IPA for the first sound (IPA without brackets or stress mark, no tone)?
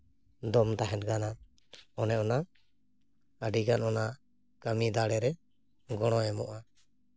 d̪